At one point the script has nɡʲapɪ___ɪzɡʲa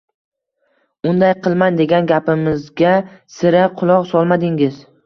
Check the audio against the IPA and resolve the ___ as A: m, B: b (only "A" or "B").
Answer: A